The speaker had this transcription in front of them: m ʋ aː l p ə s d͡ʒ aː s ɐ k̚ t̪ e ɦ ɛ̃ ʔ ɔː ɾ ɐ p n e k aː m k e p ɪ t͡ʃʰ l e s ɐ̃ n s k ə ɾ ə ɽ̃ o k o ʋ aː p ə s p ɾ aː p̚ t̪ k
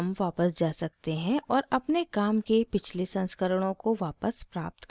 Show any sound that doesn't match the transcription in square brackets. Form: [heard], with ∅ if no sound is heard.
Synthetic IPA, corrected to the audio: m ʋ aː [∅] p ə s d͡ʒ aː s ɐ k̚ t̪ e ɦ ɛ̃ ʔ ɔː ɾ ɐ p n e k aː m k e p ɪ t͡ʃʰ l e s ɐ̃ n s k ə ɾ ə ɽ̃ [õ] k o ʋ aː p ə s p ɾ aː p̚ t̪ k